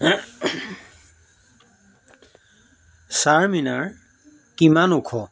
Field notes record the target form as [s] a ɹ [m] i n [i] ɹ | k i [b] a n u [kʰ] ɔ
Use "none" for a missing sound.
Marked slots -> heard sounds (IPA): s, m, a, m, kʰ

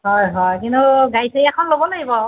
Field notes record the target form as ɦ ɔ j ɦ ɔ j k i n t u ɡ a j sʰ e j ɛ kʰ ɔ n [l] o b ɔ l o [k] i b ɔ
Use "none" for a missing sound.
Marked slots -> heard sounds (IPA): l, ɡ

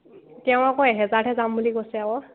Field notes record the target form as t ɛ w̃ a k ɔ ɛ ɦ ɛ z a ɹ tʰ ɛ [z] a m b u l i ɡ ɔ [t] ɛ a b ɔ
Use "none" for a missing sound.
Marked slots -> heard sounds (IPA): z, s

